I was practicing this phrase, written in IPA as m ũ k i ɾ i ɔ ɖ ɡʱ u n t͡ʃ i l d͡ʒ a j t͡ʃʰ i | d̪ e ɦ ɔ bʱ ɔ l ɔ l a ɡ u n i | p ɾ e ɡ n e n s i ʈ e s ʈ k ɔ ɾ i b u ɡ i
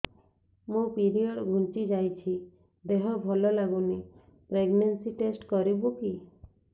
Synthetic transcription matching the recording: m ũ p i ɾ i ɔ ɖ ɡʱ u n t͡ʃ i d͡ʒ a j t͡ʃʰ i | d̪ e ɦ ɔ bʱ ɔ l ɔ l a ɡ u n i | p ɾ e ɡ n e n s i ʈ e s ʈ k ɔ ɾ i b u k i